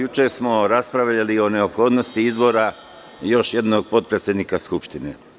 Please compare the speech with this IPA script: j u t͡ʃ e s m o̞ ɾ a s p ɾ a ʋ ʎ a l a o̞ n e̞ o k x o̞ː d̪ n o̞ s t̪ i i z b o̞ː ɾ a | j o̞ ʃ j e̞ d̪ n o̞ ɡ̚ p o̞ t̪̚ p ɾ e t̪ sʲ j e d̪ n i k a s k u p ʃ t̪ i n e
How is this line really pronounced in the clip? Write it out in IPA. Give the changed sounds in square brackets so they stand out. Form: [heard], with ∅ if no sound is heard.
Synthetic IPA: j u t͡ʃ e s m o̞ ɾ a s p ɾ a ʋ ʎ a l [i] o̞ n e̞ o [p] x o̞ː d̪ n o̞ s t̪ i i z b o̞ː ɾ a | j o̞ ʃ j e̞ d̪ n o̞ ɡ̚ p o̞ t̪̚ p ɾ e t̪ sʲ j e d̪ n i k a s k u p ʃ t̪ i n e